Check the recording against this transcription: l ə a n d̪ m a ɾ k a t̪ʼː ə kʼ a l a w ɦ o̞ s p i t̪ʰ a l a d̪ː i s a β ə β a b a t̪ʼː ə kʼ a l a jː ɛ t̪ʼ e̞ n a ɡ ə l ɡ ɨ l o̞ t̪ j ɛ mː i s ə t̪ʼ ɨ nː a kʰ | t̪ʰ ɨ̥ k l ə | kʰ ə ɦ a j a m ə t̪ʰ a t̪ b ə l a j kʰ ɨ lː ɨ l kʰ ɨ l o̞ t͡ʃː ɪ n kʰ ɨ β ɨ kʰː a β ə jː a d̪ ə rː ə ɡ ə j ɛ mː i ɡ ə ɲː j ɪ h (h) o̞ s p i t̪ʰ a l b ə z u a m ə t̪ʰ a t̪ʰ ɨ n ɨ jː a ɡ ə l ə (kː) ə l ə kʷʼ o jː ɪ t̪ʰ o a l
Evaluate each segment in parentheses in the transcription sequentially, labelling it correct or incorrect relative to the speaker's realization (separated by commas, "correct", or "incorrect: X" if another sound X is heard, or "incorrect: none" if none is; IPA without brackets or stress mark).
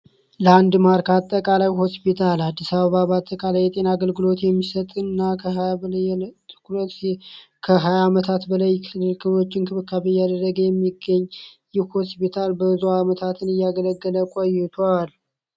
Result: correct, incorrect: ɡː